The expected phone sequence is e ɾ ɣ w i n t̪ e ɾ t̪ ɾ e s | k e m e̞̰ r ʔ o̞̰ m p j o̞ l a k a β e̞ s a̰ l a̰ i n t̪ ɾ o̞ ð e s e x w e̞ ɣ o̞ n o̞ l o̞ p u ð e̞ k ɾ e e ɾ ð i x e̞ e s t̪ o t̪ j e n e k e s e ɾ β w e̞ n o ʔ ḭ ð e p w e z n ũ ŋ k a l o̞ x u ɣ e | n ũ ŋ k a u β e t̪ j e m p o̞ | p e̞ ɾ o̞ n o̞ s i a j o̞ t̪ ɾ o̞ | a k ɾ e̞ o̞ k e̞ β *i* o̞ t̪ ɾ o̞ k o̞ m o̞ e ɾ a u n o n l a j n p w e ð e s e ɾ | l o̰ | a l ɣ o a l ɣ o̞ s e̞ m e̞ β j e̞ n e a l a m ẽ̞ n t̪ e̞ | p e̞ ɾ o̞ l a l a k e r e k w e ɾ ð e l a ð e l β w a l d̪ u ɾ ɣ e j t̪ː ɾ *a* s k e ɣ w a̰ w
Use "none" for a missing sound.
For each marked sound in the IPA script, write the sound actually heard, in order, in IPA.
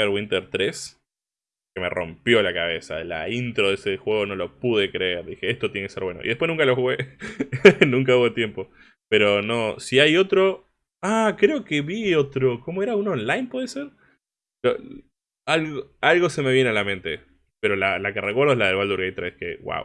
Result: i, e

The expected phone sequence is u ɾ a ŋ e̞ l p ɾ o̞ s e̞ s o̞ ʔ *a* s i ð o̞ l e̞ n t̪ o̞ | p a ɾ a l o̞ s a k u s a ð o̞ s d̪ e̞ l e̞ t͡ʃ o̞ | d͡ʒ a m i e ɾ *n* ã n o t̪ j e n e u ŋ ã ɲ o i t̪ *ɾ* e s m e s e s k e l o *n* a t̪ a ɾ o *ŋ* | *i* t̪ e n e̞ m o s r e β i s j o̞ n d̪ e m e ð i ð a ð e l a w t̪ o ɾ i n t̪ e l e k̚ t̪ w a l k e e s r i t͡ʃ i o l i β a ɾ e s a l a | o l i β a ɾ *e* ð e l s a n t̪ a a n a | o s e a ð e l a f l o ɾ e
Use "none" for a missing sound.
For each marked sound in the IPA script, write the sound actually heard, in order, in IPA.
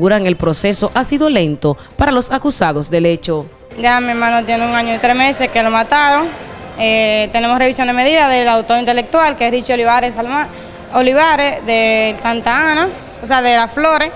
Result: a, m, ɾ, m, ŋ, e, e

